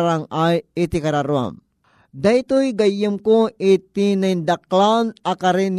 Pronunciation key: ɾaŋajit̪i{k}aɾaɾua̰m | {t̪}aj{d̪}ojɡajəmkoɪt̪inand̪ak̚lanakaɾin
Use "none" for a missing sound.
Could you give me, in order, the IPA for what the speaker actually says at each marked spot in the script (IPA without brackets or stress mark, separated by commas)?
k, d̪, t̪